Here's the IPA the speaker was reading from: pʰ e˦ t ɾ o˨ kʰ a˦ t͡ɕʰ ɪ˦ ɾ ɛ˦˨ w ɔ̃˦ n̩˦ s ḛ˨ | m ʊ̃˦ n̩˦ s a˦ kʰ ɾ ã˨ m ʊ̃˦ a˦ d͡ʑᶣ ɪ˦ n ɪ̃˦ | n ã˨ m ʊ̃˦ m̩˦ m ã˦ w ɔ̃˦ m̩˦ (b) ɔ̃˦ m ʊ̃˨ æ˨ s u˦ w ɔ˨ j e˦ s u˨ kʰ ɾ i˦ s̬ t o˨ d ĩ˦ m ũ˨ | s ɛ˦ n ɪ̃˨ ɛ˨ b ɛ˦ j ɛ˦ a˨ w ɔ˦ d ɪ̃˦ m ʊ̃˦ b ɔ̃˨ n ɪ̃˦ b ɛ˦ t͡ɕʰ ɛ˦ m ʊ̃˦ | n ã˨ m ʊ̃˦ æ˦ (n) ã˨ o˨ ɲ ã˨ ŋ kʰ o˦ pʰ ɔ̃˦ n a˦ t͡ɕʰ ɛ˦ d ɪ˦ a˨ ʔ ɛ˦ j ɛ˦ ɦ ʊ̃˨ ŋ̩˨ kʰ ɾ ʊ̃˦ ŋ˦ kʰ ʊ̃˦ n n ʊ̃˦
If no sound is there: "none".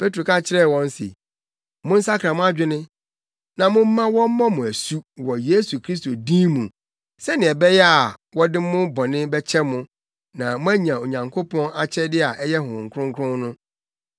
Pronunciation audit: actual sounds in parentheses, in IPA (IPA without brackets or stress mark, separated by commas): m, ɲ